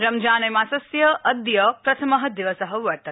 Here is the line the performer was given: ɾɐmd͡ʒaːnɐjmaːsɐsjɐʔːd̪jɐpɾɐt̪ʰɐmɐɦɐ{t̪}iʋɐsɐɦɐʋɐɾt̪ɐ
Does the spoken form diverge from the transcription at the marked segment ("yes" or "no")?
yes